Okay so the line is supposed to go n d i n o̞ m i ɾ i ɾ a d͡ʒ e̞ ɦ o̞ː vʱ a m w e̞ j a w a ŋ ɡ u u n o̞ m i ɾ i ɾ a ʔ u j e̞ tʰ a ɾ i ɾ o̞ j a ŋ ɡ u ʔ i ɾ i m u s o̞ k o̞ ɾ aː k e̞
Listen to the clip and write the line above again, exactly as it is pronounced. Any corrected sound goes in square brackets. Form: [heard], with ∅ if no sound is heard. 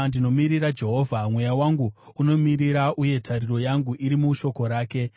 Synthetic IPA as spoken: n d i n o̞ m i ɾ i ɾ a d͡ʒ e̞ ɦ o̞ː vʱ a m w e̞ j a w a ŋ ɡ u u n o̞ m i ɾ i ɾ a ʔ u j e̞ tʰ a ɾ i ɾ o̞ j a ŋ ɡ u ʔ i ɾ i m u [ʃ] o̞ k o̞ ɾ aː k e̞